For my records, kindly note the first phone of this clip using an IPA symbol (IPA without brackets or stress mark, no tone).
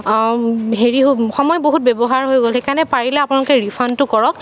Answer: ɦ